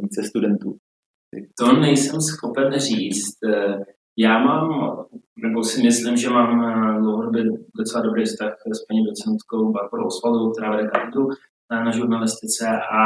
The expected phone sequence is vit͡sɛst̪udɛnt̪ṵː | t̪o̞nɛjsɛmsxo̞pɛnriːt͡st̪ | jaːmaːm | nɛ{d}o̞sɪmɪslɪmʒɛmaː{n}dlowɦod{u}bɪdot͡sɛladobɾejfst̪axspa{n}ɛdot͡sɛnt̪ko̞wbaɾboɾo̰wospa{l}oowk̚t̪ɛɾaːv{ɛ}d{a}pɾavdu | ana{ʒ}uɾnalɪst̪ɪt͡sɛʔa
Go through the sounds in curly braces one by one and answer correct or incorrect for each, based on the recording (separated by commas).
incorrect, incorrect, incorrect, incorrect, correct, correct, incorrect, correct